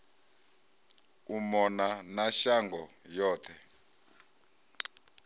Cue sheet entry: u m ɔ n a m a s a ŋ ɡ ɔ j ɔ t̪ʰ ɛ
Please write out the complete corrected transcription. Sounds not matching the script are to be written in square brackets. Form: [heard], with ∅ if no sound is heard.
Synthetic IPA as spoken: u m ɔ n a [n] a [ʃ] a ŋ ɡ ɔ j [ɔː] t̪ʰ ɛ